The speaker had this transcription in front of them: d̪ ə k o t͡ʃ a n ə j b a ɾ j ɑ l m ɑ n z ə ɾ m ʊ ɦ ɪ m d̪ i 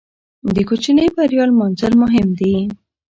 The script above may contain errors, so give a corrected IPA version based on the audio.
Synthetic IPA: d̪ ə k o t͡ʃ i n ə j b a ɾ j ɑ l m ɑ n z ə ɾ m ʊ ɦ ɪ m d̪ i